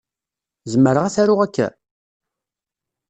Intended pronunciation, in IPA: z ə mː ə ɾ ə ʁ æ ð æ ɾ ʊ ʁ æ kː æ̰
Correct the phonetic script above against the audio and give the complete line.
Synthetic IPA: z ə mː ə ɾ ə ʁ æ θ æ ɾ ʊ ʁ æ kː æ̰